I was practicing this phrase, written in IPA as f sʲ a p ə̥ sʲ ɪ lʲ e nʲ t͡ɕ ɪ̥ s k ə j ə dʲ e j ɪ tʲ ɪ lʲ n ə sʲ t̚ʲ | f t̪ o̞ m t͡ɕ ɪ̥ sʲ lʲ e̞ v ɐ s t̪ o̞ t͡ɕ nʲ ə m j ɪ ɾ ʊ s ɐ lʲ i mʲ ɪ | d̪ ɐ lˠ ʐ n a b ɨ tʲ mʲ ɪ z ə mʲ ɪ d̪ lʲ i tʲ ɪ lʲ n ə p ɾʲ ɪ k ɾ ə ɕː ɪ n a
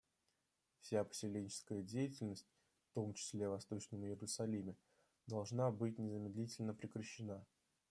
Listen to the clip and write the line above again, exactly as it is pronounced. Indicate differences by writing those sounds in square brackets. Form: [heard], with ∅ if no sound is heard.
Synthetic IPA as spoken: f sʲ a p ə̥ sʲ ɪ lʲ e nʲ t͡ɕ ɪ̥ s k ə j ə dʲ e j ɪ tʲ ɪ lʲ n ə sʲ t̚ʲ | f t̪ o̞ m t͡ɕ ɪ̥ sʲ lʲ e̞ v ɐ s t̪ o̞ t͡ɕ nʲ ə m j ɪ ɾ ʊ s ɐ lʲ i mʲ ɪ | d̪ ɐ lˠ ʐ n a b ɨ tʲ [nʲ] ɪ z ə mʲ ɪ d̪ lʲ i tʲ ɪ lʲ n ə p ɾʲ ɪ k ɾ ə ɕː ɪ n a